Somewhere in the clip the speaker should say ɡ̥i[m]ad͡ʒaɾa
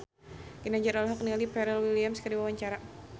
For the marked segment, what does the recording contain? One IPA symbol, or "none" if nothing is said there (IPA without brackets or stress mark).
n